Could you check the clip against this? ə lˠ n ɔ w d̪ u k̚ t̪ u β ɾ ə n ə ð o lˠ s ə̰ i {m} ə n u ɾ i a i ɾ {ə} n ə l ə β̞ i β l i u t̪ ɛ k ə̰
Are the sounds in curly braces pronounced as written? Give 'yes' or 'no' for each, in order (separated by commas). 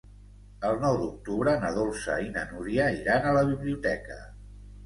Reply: no, no